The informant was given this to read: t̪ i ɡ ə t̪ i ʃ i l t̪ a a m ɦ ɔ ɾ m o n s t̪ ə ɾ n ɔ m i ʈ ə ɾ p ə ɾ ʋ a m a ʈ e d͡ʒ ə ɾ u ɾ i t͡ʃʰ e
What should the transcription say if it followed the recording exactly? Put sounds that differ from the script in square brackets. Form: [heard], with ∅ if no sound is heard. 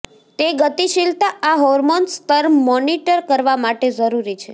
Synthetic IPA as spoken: t̪ [e] ɡ ə t̪ i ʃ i l t̪ a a [∅] ɦ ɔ ɾ m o n s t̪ ə ɾ [m] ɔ [n] i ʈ ə ɾ [k] ə ɾ ʋ a m a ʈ e d͡ʒ ə ɾ u ɾ i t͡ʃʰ e